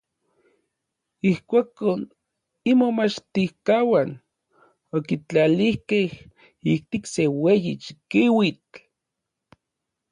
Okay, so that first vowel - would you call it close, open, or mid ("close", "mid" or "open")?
close